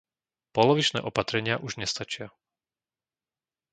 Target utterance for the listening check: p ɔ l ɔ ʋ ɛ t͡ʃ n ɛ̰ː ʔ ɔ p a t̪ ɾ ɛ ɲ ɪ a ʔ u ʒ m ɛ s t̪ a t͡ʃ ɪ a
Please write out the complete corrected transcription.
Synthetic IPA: p ɔ l ɔ ʋ i t͡ʃ n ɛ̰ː ʔ ɔ p a t̪ ɾ ɛ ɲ ɪ a ʔ u ʒ ɲ ɛ s t̪ a t͡ʃ ɪ a